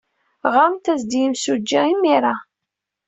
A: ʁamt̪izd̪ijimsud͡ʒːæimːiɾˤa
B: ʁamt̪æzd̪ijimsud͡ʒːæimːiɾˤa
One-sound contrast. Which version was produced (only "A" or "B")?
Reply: B